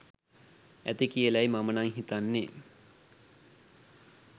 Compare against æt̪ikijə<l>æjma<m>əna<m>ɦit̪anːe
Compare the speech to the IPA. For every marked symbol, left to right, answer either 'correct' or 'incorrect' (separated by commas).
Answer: correct, correct, incorrect